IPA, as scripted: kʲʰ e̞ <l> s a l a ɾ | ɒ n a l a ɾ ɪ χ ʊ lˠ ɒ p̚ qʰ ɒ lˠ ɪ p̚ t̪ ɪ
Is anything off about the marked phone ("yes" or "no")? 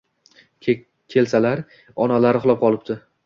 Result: no